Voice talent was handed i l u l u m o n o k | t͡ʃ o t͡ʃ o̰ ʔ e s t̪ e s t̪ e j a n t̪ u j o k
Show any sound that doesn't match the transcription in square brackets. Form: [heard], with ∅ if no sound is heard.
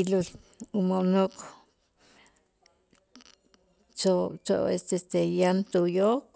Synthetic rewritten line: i l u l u m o n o k | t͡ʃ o t͡ʃ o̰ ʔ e s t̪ e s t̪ e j a n t̪ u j o k

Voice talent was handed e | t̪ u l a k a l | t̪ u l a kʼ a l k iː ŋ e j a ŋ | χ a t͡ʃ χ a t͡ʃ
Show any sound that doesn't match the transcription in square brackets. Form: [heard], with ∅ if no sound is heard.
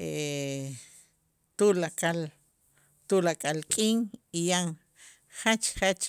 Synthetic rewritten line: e | t̪ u l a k a l | t̪ u l a kʼ a l [kʼ] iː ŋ [i] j a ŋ | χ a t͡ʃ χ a t͡ʃ

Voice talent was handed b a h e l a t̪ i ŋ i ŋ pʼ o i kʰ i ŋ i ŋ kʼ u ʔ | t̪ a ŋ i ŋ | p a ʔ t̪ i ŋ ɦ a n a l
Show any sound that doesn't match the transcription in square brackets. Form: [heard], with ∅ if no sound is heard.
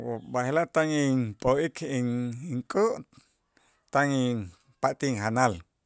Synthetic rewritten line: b a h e l a t̪ [a] ŋ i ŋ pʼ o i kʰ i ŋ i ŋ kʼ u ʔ | t̪ a ŋ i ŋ | p a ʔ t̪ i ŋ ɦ a n a l

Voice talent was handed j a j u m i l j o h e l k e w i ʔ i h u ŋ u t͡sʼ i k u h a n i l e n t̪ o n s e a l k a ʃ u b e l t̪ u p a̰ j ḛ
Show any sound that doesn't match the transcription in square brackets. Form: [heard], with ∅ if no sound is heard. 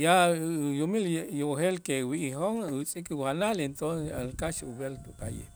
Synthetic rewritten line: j a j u m i l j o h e l k e w i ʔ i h [o] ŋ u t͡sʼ i k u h a n [a] l e n t̪ o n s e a l k a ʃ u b e l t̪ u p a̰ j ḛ

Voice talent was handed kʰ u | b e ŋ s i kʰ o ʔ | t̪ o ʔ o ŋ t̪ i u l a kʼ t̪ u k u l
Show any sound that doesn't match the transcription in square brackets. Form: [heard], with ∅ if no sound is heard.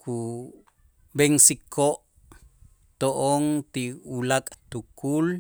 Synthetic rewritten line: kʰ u | b e ŋ s i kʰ o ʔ | t̪ o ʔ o ŋ t̪ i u l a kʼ t̪ u k u l

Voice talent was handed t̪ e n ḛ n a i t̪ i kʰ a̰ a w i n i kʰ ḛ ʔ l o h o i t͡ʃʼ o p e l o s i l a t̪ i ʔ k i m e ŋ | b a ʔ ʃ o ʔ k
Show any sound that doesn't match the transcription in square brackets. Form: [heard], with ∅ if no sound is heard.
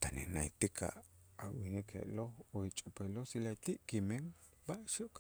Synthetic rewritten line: t̪ [a] n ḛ n a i t̪ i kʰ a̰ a w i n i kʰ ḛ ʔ l o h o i t͡ʃʼ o p e l o s i l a t̪ i ʔ k i m e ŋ | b a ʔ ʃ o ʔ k

